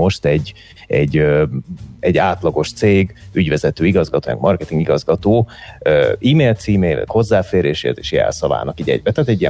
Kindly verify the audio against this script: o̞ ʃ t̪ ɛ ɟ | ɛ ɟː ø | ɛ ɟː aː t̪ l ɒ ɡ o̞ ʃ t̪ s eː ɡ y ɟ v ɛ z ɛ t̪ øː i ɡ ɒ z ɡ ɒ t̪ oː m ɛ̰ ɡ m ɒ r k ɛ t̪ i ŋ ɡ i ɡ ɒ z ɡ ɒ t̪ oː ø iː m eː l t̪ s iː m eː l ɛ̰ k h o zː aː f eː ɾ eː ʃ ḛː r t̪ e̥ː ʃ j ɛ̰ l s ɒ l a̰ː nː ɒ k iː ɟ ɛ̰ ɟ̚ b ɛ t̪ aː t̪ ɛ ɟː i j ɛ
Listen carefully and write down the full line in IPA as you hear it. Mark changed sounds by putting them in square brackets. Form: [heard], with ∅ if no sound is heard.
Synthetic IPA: o̞ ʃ t̪ ɛ ɟ | ɛ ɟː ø | ɛ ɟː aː t̪ l ɒ ɡ o̞ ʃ t̪ s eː ɡ y ɟ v ɛ z ɛ t̪ øː i ɡ ɒ z ɡ ɒ t̪ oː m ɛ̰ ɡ m ɒ r k ɛ t̪ i ŋ ɡ i ɡ ɒ z ɡ ɒ t̪ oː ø iː m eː l t̪ s iː m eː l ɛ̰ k h o zː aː f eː ɾ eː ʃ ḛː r t̪ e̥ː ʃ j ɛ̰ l s ɒ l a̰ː [n] ɒ k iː ɟ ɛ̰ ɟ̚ b ɛ t̪ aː t̪ ɛ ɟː i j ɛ